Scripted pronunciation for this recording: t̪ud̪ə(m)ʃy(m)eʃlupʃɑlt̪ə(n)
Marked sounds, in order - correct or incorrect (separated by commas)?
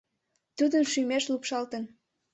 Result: incorrect, correct, correct